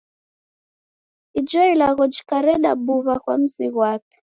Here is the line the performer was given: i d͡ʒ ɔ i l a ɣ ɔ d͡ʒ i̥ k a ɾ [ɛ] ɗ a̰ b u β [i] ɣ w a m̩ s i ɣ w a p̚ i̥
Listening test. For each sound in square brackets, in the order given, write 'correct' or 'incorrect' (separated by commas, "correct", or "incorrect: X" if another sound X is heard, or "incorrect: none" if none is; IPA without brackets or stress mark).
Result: correct, incorrect: a